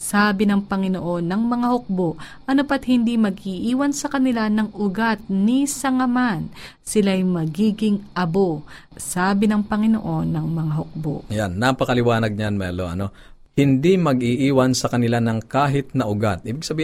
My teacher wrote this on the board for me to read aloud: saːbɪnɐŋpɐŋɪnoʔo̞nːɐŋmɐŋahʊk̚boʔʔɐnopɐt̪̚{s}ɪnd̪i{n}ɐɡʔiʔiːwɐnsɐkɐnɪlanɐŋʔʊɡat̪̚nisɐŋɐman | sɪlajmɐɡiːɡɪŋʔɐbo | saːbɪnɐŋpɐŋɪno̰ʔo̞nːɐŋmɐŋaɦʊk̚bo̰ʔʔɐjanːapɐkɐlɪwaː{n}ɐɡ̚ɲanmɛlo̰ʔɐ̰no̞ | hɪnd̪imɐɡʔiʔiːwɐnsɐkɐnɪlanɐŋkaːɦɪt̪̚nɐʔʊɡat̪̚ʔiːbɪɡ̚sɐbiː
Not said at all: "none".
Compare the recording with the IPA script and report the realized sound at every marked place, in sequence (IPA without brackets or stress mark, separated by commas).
h, m, n